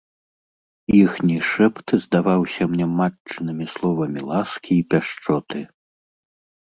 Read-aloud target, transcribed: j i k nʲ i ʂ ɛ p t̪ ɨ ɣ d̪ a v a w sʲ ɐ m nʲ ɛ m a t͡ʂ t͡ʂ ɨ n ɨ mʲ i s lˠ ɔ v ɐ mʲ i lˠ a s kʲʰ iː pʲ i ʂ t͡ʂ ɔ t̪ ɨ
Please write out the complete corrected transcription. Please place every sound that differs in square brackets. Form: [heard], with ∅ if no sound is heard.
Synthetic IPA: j i [x] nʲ i ʂ ɛ p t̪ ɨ [z] d̪ a v a w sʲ ɐ m nʲ ɛ m a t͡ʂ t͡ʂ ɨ n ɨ mʲ i s lˠ ɔ v ɐ mʲ i lˠ a s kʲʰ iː pʲ [a] ʂ t͡ʂ ɔ t̪ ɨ

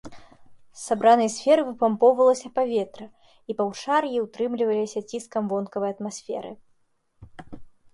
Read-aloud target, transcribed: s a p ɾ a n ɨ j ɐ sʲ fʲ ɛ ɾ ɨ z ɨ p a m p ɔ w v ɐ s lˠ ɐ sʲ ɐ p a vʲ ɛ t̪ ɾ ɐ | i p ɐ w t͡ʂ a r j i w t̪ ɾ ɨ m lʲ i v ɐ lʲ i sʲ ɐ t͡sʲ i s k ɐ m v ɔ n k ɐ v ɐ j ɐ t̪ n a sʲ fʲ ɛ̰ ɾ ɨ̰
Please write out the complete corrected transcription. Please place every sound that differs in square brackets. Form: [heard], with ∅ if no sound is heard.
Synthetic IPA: s a [b] ɾ a n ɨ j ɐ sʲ fʲ ɛ ɾ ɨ [v] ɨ p a m p ɔ w v ɐ [∅] lˠ ɐ sʲ ɐ p a vʲ ɛ t̪ ɾ ɐ | i p ɐ w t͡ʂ a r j i w t̪ ɾ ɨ m lʲ i v ɐ lʲ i sʲ ɐ t͡sʲ i s k ɐ m v ɔ n k ɐ v ɐ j ɐ t̪ [m] a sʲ fʲ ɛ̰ ɾ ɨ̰

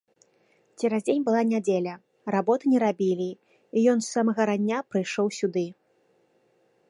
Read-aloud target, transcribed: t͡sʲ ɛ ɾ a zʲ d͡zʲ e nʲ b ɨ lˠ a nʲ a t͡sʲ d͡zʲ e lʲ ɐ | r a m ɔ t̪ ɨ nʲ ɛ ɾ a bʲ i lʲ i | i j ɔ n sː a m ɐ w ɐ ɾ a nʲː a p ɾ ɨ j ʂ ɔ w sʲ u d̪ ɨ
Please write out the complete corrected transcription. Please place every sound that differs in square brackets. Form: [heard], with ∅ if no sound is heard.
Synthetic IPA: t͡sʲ ɛ ɾ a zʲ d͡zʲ e nʲ b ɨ lˠ a nʲ a [∅] d͡zʲ e lʲ ɐ | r a [b] ɔ t̪ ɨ nʲ ɛ ɾ a bʲ i lʲ i | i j ɔ n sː a m ɐ [ɣ] ɐ ɾ a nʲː a p ɾ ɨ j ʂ ɔ w sʲ u d̪ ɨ

